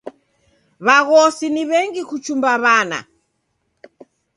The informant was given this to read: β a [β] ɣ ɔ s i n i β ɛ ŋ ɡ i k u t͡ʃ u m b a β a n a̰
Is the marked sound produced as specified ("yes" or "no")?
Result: no